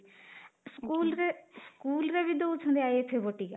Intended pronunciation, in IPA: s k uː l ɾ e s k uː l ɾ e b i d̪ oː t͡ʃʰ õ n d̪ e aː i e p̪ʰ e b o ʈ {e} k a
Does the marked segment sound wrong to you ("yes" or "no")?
yes